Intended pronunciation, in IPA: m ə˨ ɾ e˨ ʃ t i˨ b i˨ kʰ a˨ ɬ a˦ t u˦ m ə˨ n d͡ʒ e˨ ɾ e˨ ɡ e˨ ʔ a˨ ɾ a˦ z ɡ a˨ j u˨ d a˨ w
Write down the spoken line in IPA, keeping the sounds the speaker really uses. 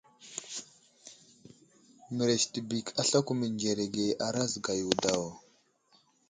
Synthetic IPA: m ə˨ ɾ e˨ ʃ t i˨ b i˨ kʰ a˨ ɬ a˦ k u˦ m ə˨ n d͡ʒ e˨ ɾ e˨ ɡ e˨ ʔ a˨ ɾ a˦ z ɡ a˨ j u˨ d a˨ w